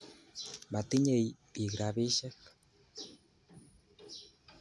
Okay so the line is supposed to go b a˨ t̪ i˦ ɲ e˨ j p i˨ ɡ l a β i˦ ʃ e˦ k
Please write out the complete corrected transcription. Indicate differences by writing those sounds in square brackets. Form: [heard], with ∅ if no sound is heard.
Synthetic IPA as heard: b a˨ t̪ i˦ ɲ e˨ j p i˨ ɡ [ɾ] a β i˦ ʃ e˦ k